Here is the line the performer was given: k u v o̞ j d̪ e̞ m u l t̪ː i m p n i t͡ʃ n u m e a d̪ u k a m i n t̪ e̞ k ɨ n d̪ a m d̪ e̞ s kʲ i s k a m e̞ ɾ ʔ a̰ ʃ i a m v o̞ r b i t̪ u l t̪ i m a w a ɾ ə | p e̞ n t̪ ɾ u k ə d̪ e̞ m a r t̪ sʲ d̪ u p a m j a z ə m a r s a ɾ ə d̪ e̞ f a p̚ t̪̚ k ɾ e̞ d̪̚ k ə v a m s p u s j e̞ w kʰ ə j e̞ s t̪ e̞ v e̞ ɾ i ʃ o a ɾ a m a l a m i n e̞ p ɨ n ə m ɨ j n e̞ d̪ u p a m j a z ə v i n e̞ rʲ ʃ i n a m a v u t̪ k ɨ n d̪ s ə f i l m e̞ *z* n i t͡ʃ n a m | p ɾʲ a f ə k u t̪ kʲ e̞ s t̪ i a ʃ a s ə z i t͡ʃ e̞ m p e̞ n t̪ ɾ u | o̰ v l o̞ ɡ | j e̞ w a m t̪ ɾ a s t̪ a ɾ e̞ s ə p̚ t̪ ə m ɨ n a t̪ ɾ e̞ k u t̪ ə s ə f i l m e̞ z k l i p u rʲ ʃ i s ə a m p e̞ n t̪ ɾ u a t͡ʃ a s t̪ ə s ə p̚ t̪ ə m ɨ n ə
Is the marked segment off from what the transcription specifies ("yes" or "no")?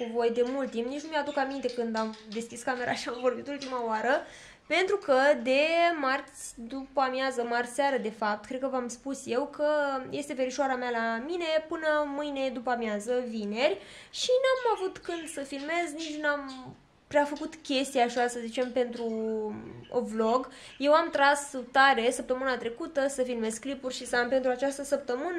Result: no